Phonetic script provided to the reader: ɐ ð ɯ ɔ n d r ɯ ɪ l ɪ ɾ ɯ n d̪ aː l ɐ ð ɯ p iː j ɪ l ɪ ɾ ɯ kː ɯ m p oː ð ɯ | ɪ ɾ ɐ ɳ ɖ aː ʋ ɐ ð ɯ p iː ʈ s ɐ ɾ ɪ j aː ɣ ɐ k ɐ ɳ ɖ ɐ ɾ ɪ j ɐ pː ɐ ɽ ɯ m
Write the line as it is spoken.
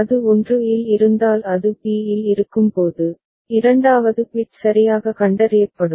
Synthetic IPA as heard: ɐ ð ɯ ɔ n d r ɯ ɪ l ɪ ɾ ɯ n d̪ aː l ɐ ð ɯ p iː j ɪ l ɪ ɾ ɯ kː ɯ m p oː ð ɯ | ɪ ɾ ɐ ɳ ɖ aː ʋ ɐ ð ɯ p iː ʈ s ɐ ɾ ɪ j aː ɣ ɐ k ɐ ɳ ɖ ɐ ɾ ɪ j ɐ pː ɐ ɽ ɯ m